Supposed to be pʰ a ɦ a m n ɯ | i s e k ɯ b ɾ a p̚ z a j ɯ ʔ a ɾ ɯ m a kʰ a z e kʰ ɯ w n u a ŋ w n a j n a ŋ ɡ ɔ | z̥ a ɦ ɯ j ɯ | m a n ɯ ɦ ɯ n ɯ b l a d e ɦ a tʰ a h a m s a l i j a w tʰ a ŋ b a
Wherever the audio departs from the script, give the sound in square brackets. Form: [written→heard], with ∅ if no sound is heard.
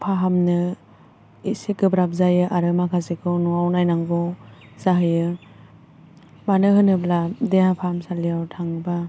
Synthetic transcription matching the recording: pʰ a ɦ a m n ɯ | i s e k ɯ b ɾ a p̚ z a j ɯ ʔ a ɾ ɯ m a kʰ a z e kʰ ɯ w n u a [ŋ→∅] w n a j n a ŋ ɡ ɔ | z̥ a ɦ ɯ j ɯ | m a n ɯ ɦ ɯ n ɯ b l a d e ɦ a [tʰ→pʰ] a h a m s a l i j a w tʰ a ŋ b a